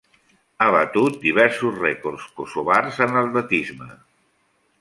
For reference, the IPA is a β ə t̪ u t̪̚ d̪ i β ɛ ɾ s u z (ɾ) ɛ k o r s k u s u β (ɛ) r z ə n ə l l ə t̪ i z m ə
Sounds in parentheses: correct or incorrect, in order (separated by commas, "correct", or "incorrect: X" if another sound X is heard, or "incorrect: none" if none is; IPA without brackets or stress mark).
incorrect: r, incorrect: a